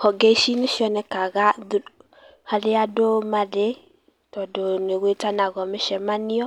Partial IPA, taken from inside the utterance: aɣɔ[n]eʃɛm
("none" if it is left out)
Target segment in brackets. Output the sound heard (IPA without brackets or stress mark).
m